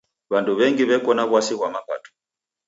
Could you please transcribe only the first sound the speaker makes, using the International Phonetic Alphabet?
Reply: β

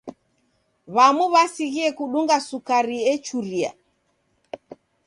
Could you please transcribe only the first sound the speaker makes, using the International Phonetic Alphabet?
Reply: β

